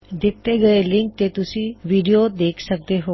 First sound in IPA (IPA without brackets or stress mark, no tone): d̪